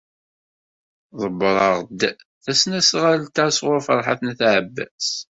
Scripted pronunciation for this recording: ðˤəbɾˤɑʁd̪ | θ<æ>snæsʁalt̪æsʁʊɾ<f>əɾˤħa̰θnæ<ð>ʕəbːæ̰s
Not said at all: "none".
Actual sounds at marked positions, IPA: æ, f, θ

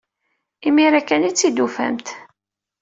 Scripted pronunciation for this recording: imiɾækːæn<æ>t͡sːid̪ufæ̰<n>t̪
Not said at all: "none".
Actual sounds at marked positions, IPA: i, m

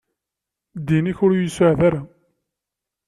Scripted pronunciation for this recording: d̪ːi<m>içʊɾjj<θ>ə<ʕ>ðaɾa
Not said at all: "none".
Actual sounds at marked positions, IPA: n, s, ʕ

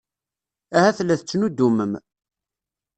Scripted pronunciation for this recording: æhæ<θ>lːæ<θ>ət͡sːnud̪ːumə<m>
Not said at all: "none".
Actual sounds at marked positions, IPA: θ, θ, m

